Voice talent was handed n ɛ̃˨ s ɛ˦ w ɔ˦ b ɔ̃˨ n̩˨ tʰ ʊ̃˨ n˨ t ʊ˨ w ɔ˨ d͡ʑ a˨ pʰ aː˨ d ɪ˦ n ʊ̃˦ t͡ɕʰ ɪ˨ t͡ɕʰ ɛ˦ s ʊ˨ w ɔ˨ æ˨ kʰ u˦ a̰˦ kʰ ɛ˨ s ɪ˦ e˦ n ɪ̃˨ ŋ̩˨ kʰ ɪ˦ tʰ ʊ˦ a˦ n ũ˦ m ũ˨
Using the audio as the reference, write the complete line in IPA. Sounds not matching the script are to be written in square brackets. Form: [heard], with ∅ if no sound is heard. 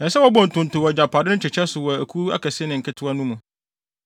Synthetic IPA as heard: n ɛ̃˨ s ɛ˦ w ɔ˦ b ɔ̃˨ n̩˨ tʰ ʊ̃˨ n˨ t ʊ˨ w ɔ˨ d͡ʑ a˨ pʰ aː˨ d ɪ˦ n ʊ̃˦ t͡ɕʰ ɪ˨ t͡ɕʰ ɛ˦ s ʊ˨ w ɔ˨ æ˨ kʰ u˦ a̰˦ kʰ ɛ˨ s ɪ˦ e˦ n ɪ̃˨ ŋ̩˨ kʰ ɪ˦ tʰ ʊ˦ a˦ n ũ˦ m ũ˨

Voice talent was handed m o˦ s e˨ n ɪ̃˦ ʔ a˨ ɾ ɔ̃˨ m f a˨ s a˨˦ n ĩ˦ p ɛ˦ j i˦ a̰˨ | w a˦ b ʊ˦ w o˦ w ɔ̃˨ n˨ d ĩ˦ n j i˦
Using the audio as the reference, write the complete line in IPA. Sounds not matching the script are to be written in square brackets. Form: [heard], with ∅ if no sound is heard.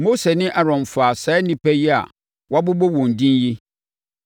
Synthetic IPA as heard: m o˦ s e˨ n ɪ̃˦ ʔ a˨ ɾ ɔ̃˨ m f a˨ s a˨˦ n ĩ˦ p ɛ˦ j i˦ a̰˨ | w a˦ b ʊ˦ [b] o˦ w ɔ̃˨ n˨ d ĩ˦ n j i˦

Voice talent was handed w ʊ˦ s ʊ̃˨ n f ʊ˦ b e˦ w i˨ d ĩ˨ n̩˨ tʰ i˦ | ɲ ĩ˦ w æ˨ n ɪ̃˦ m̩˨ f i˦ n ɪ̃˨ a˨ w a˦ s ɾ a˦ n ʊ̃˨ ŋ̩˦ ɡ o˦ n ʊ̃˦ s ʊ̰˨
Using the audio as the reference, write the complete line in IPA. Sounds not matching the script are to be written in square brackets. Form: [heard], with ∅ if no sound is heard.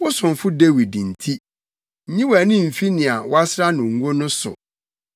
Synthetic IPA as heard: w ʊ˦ s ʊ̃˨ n f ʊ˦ [d] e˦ w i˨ d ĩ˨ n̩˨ tʰ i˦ | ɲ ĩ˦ w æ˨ n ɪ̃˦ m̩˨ f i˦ n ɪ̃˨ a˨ w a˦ s ɾ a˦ n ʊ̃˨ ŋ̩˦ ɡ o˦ n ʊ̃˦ s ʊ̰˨

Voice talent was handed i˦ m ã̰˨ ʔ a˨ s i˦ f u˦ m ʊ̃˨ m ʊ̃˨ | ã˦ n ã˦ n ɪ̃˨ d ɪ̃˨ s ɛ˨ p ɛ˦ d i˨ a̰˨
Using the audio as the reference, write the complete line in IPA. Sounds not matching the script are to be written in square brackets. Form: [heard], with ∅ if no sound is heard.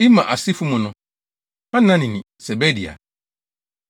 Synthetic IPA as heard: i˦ m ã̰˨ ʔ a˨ s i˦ f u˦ m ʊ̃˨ [n] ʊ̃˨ | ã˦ n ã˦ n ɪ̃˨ [n] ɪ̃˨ s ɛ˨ [b] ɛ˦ d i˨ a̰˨

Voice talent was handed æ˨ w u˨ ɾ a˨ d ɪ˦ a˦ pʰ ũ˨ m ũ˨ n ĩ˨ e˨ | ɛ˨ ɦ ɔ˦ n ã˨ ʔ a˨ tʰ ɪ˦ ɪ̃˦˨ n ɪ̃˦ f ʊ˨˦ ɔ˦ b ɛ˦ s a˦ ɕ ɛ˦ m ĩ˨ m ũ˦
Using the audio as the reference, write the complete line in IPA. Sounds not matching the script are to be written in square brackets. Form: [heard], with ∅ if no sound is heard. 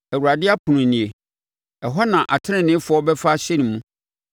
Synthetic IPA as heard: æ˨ w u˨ ɾ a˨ d ɪ˦ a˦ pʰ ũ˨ [n] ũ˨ n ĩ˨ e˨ | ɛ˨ ɦ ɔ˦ n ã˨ ʔ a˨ tʰ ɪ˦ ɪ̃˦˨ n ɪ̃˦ f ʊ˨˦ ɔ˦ b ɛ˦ [f] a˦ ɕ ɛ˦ [n] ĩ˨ m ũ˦

